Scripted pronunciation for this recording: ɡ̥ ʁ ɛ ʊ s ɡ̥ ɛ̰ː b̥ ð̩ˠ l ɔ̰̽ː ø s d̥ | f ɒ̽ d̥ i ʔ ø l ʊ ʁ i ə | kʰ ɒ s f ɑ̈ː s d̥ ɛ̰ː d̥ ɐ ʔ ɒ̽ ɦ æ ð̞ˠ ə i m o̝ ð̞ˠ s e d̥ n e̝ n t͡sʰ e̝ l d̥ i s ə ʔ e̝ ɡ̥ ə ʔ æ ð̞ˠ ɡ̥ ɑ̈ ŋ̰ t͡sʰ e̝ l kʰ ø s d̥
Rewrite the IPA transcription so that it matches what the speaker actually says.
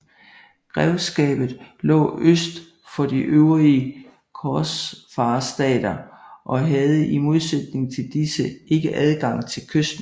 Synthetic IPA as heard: ɡ̥ ʁ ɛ ʊ s ɡ̥ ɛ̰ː b̥ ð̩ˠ l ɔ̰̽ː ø s d̥ | f ɒ̽ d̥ i ʔ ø ʊ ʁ i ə | kʰ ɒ s f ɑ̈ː s d̥ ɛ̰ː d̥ ɐ ʔ ɒ̽ ɦ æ ð̞ˠ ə i m o̝ ð̞ˠ s e d̥ n e̝ ŋ t͡sʰ e̝ l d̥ i s ə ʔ e̝ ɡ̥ ə ʔ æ ð̞ˠ ɡ̥ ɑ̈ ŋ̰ t͡sʰ e̝ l kʰ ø s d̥